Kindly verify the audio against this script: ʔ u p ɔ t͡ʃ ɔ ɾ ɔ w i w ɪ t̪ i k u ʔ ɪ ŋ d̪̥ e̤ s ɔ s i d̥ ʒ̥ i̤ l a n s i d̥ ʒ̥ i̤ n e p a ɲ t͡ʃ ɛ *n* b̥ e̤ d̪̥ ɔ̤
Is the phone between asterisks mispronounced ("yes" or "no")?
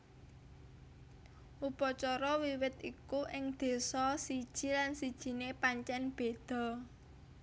no